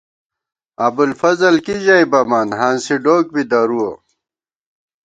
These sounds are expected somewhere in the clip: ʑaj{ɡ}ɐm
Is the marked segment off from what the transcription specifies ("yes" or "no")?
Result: yes